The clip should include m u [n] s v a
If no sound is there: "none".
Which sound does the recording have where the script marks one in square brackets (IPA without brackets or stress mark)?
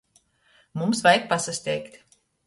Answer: m